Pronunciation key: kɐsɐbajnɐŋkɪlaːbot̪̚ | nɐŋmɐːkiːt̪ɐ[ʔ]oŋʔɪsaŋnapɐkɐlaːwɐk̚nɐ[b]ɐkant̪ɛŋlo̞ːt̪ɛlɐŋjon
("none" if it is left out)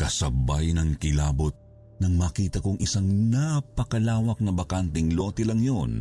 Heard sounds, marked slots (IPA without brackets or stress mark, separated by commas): k, b